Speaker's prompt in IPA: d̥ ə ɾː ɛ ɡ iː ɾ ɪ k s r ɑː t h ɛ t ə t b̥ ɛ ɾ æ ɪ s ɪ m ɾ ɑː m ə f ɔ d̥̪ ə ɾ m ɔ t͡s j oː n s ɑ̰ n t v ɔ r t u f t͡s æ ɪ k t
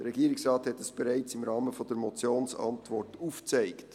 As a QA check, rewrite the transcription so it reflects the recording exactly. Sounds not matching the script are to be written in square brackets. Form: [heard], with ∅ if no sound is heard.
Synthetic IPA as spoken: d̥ ə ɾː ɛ ɡ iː ɾ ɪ k s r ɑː t h ɛ t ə [s] b̥ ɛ ɾ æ ɪ [t͡s] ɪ m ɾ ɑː m ə f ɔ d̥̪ ə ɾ m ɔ t͡s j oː n s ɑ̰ n t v ɔ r t u f t͡s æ ɪ k t